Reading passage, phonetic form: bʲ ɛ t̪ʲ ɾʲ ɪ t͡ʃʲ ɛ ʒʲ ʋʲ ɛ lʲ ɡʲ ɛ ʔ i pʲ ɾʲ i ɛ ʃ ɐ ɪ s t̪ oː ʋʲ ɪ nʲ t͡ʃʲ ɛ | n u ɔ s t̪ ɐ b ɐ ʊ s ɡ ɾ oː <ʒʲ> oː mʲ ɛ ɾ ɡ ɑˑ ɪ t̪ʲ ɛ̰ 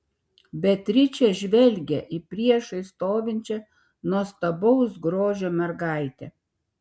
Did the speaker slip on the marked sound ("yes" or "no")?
no